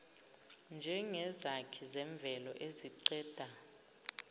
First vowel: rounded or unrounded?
unrounded